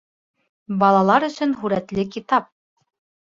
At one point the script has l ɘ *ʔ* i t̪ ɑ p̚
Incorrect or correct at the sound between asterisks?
incorrect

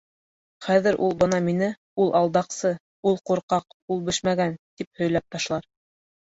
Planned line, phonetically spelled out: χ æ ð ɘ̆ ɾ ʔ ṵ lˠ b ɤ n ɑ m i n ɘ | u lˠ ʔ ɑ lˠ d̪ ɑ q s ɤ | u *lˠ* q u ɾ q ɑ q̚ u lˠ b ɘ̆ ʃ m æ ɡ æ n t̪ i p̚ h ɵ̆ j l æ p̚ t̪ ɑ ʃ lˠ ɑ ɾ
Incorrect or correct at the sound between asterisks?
correct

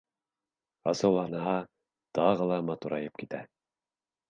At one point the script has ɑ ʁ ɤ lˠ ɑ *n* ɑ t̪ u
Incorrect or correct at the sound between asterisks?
incorrect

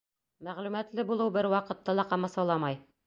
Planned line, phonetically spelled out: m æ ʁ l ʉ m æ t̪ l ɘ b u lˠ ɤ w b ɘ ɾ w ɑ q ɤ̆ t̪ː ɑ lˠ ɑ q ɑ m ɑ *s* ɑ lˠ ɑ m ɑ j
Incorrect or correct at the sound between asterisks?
correct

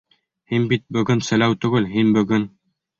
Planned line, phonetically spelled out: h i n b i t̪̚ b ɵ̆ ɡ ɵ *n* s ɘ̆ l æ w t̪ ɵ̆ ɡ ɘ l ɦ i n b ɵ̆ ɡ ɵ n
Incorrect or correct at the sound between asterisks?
correct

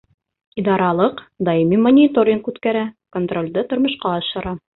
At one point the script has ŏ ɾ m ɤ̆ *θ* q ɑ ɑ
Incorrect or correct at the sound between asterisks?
incorrect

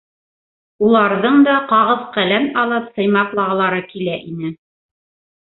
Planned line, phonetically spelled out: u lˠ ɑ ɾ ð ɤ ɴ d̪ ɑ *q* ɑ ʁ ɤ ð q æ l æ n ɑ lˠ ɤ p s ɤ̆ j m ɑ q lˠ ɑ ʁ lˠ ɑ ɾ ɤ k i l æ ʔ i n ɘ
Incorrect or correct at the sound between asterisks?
correct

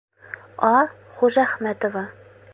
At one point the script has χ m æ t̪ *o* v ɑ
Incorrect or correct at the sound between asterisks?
correct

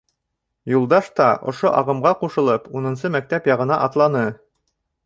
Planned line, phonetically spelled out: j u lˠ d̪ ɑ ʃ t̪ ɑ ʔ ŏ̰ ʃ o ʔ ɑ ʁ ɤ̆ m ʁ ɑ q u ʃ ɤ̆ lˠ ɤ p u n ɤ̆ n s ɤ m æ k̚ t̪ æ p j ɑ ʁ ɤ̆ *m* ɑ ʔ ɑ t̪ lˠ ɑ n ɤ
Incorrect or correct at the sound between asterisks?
incorrect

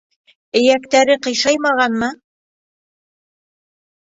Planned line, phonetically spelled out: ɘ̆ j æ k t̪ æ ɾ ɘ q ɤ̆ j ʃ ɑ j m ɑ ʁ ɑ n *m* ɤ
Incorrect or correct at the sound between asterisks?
correct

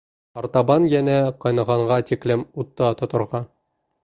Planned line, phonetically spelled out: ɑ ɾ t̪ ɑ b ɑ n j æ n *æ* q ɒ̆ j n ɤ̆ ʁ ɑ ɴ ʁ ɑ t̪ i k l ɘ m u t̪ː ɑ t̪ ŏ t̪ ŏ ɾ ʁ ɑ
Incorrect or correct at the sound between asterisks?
correct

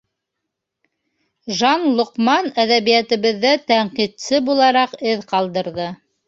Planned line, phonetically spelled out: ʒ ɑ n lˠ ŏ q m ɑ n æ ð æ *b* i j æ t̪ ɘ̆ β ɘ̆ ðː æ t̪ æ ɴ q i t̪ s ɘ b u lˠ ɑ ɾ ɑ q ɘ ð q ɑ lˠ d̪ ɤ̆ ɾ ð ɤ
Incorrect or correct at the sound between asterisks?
incorrect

